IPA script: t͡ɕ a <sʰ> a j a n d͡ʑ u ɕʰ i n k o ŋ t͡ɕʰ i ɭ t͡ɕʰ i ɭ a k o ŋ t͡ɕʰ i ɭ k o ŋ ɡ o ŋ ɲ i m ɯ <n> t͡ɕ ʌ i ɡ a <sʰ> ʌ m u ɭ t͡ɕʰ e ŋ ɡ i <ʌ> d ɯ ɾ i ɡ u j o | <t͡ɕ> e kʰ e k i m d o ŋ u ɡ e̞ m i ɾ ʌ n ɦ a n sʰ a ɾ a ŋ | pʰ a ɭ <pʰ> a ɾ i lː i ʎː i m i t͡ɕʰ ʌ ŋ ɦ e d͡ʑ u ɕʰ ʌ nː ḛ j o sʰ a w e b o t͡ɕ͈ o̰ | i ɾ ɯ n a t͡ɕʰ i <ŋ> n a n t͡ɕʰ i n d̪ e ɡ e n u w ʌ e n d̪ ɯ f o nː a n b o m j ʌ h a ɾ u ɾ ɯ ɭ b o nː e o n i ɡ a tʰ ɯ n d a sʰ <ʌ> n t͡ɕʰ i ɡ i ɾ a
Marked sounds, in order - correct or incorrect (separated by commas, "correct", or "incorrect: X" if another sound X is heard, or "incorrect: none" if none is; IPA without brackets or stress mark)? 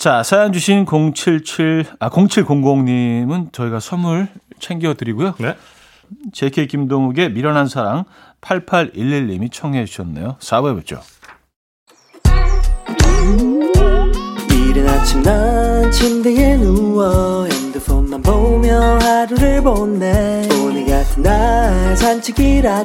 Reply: correct, correct, correct, correct, correct, correct, incorrect: m, incorrect: a